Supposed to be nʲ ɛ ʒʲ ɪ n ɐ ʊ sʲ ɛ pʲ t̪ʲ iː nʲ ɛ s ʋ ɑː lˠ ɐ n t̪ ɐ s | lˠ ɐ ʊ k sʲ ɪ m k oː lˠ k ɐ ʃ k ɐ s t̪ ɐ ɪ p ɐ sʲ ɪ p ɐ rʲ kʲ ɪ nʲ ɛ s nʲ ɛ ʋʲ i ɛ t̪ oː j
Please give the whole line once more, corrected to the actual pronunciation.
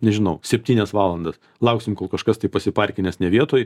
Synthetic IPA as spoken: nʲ ɛ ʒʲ ɪ n ɐ ʊ sʲ ɛ pʲ t̪ʲ iː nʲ ɛ s ʋ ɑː lˠ ɐ n d̪ ɐ s | lˠ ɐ ʊ k sʲ ɪ m k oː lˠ k ɐ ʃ k ɐ s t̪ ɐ ɪ p ɐ sʲ ɪ p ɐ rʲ kʲ ɪ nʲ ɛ s nʲ ɛ ʋʲ i ɛ t̪ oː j